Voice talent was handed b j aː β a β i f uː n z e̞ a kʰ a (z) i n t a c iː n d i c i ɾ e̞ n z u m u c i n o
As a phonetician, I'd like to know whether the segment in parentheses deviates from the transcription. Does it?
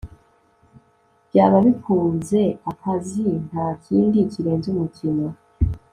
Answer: no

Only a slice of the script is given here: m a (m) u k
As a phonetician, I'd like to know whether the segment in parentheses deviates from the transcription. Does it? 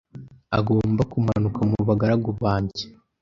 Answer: yes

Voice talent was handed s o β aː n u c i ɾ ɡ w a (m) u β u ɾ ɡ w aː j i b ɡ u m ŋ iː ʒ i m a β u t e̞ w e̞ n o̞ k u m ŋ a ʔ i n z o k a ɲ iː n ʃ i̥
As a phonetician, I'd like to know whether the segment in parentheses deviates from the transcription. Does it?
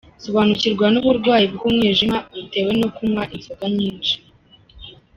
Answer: yes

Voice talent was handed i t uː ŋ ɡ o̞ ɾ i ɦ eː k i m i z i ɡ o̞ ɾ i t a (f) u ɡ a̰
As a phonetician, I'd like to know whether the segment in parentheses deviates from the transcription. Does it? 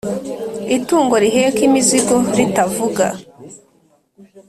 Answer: yes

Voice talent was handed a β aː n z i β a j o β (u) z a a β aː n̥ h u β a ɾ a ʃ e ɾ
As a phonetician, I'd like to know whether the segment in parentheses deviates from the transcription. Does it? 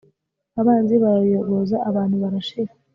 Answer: yes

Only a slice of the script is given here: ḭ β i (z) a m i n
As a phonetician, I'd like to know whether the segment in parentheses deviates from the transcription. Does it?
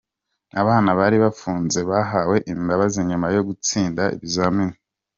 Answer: no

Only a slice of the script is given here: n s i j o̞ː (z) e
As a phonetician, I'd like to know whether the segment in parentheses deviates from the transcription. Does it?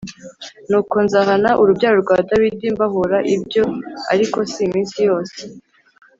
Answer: yes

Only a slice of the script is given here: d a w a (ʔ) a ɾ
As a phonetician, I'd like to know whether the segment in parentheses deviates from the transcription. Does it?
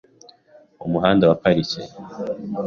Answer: yes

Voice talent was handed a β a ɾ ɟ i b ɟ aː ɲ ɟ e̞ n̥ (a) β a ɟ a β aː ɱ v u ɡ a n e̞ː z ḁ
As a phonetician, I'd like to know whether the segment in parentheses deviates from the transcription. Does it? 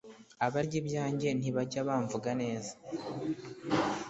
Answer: yes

